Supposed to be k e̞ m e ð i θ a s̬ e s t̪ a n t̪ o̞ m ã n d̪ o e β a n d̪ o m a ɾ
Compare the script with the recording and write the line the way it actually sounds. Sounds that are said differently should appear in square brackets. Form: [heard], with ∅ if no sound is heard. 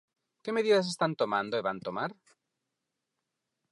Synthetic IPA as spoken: k e̞ m e ð i [ð] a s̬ e s t̪ a n t̪ o̞ m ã n d̪ o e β a n [t̪] o m a ɾ